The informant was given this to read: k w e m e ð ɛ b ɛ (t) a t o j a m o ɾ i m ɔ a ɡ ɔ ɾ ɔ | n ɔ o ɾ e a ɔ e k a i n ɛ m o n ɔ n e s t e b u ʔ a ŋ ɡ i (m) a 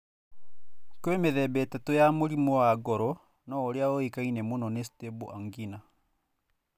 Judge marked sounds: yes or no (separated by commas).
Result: yes, no